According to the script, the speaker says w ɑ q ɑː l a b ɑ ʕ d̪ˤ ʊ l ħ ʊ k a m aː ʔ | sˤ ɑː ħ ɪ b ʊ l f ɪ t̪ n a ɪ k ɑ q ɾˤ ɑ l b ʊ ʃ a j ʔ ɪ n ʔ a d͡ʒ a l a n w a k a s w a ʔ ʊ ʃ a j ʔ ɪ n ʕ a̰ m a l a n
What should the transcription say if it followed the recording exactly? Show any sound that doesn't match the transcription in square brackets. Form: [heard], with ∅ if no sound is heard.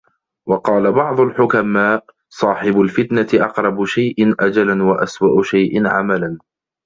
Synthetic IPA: w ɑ q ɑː l a b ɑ ʕ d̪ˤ ʊ l ħ ʊ k a m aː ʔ | sˤ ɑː ħ ɪ b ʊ l f ɪ t̪ n a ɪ [ʔ] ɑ q ɾˤ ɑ [∅] b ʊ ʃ a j ʔ ɪ n ʔ a d͡ʒ a l a n w a [ʔ] a s w a ʔ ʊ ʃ a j ʔ ɪ n ʕ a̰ m a l a n